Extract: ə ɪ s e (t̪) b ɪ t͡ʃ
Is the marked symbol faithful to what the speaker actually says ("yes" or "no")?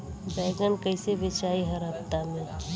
no